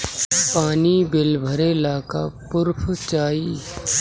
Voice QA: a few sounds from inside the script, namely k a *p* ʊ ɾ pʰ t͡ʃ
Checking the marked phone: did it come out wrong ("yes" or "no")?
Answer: no